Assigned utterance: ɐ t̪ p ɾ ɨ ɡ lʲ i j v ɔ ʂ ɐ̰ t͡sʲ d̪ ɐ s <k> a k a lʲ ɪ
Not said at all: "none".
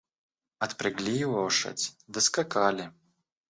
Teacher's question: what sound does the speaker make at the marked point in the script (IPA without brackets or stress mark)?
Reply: k